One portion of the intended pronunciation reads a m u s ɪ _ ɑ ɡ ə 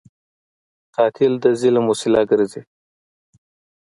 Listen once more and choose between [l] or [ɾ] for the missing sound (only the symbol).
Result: l